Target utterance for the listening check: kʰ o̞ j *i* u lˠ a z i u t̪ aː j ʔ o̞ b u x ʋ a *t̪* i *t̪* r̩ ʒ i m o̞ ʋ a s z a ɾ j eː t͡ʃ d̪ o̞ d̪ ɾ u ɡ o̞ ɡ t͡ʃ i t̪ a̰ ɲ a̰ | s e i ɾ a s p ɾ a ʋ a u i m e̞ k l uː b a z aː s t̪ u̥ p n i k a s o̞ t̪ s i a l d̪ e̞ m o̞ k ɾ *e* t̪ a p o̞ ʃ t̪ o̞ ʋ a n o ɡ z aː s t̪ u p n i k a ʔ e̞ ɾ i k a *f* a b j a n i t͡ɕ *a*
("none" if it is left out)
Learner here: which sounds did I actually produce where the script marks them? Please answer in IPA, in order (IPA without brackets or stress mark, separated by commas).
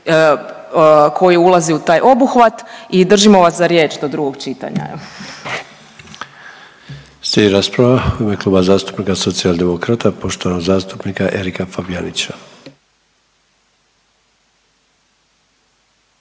i, t̪, d̪, a, f, a